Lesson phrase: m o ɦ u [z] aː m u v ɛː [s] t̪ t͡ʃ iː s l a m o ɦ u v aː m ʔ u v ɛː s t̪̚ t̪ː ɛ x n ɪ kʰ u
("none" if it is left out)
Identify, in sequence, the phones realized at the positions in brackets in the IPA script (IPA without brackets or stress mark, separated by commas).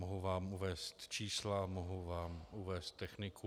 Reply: v, s